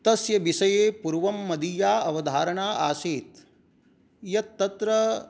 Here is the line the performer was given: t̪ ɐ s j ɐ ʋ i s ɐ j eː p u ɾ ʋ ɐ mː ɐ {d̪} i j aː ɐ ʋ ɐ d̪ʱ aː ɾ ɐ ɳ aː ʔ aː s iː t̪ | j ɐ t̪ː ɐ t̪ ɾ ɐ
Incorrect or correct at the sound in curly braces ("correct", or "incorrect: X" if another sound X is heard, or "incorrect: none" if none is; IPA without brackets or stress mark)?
correct